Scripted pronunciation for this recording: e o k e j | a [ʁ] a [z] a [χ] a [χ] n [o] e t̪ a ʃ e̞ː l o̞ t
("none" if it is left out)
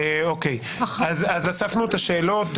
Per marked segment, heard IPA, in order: z, z, s, f, u

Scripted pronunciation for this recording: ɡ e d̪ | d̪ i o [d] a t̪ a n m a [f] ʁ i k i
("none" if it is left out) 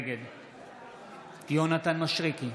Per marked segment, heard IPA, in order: n, ʃ

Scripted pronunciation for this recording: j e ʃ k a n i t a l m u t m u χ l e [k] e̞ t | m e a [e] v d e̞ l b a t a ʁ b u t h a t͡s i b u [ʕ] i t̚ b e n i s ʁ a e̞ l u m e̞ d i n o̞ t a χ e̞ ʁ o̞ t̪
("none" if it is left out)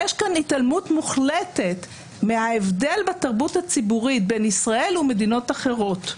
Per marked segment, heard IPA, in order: t, e, ʁ

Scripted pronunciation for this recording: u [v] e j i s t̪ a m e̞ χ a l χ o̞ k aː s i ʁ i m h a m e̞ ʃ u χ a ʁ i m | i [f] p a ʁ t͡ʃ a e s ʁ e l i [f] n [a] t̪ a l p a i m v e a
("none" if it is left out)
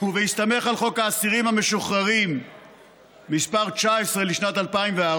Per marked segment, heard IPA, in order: v, s, ʃ, a

